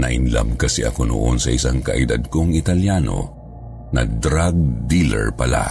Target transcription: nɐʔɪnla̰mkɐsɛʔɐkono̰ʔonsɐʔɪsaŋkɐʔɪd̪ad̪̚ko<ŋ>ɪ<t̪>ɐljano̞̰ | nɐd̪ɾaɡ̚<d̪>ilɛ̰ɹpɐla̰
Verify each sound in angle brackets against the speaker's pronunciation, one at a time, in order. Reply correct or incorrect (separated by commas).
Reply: correct, correct, correct